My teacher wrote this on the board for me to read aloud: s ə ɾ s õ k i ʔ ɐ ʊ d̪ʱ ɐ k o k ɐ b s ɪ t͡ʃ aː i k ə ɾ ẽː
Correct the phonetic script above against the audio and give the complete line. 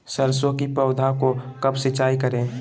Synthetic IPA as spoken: s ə ɾ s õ k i p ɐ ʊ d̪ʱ a k o k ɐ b s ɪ t͡ʃ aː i k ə ɾ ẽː